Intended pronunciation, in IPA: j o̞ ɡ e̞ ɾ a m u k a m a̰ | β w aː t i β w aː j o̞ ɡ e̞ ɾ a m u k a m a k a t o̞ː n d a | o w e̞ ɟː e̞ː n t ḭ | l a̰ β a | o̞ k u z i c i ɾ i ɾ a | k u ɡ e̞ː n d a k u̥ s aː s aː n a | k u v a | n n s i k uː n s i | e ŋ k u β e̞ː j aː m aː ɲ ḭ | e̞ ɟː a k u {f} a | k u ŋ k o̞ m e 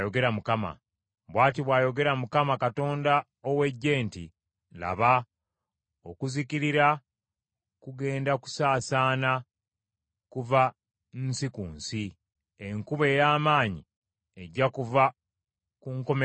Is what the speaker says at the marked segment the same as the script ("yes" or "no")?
no